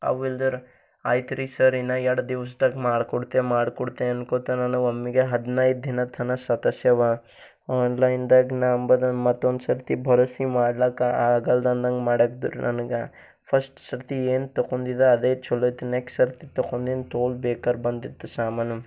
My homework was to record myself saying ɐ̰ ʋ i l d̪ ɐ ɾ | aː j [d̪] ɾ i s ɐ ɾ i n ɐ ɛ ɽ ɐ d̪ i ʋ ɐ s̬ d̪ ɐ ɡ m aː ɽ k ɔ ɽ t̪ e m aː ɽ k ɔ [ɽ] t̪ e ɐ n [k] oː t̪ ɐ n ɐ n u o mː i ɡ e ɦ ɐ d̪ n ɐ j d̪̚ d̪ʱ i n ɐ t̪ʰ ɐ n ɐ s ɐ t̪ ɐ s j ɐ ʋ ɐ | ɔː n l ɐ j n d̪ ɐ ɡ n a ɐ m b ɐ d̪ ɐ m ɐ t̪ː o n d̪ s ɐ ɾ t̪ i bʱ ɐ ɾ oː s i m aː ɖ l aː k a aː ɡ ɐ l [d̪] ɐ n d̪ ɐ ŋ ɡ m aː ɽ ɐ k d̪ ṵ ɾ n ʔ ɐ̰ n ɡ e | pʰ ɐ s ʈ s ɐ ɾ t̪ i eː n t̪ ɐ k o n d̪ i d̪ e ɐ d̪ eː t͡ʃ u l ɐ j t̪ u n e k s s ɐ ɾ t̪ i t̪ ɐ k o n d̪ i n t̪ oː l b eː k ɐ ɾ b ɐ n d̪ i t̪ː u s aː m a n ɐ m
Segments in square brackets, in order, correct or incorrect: incorrect: t̪, correct, correct, correct

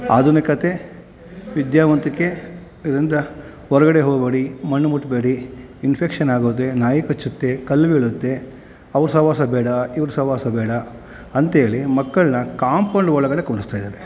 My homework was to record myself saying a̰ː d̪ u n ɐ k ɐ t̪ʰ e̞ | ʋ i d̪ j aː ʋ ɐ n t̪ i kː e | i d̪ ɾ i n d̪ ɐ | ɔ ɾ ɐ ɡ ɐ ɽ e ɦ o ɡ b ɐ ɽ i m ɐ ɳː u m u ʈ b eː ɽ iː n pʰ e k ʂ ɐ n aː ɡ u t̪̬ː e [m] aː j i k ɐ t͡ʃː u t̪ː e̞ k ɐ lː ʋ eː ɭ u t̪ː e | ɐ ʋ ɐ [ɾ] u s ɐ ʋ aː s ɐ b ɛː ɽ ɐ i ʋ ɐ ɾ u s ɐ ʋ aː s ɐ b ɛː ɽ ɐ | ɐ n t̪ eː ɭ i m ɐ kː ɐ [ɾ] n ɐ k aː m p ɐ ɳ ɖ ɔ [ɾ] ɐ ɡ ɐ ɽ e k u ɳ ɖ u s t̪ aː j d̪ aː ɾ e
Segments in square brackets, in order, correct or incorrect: incorrect: n, correct, incorrect: ɭ, incorrect: ɭ

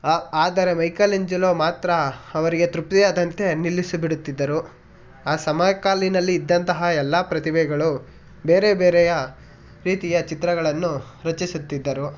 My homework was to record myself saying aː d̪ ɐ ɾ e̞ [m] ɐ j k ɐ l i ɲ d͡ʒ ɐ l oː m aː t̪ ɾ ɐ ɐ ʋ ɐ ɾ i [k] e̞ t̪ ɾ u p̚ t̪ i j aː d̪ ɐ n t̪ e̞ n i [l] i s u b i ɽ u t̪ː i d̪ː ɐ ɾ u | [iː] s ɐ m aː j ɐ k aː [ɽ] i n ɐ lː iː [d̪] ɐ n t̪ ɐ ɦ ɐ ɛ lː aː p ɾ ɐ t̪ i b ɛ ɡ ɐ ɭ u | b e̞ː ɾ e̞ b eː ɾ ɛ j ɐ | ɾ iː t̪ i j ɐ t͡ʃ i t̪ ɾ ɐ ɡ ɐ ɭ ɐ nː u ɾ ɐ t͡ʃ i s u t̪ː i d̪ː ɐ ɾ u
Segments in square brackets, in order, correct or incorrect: correct, incorrect: ɡ, incorrect: lː, incorrect: aː, incorrect: l, incorrect: d̪ː

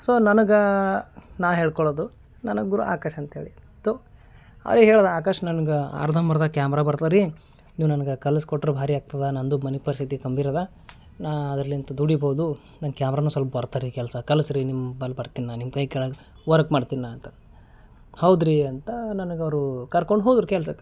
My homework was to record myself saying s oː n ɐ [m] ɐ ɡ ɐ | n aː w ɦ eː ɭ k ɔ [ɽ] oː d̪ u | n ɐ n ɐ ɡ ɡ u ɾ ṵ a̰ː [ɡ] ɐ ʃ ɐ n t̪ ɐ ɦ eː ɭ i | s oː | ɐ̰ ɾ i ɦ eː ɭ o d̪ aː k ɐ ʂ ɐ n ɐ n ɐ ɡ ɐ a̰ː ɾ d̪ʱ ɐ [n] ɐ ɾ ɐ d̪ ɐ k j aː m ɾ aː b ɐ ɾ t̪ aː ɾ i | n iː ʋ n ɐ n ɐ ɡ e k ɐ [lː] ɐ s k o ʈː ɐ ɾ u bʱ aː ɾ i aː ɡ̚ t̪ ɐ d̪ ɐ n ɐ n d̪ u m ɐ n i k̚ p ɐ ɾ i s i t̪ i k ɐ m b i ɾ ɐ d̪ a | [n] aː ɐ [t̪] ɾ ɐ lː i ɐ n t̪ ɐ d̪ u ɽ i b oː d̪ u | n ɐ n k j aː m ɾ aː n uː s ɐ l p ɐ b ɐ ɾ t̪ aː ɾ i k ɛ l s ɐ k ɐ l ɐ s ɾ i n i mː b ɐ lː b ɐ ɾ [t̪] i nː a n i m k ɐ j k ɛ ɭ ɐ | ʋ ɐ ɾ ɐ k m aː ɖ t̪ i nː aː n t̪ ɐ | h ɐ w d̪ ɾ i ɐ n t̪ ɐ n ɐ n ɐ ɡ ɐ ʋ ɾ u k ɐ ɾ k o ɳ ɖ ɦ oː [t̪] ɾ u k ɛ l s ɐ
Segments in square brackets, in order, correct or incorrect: incorrect: n, incorrect: ɭ, incorrect: k, incorrect: m, incorrect: l, correct, incorrect: d̪, correct, incorrect: d̪

